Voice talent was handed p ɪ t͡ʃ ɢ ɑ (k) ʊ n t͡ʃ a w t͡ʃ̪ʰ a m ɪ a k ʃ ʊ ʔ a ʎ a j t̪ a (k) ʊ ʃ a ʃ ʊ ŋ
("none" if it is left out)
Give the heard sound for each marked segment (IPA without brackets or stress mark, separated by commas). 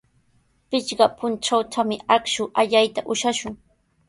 p, ʔ